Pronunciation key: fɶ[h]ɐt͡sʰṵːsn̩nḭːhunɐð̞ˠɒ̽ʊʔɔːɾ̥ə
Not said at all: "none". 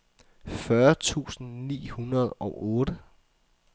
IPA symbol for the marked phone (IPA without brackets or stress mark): none